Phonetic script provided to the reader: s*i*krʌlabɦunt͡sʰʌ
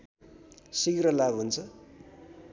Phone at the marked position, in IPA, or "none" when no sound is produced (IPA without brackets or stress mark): i